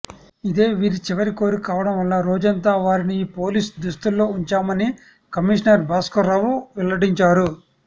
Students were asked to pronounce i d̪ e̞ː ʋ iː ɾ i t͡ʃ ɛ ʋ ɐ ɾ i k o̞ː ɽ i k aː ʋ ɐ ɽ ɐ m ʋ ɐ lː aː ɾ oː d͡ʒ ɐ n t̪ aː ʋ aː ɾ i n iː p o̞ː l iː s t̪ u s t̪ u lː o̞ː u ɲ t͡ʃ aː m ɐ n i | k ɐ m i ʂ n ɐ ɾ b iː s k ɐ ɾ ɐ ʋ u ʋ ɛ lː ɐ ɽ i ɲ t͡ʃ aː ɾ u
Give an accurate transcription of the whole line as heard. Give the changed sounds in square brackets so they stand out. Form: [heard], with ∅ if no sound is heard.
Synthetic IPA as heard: i d̪ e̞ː ʋ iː ɾ i t͡ʃ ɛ ʋ ɐ ɾ i k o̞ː [ɾ] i k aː ʋ ɐ ɽ ɐ m ʋ ɐ lː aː ɾ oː d͡ʒ ɐ n t̪ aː ʋ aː ɾ i n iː p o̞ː l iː s [d̪] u s t̪ u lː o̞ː u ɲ t͡ʃ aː m ɐ n i | k ɐ m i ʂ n ɐ ɾ b [aː] s k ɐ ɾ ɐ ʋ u ʋ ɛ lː ɐ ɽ i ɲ t͡ʃ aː ɾ u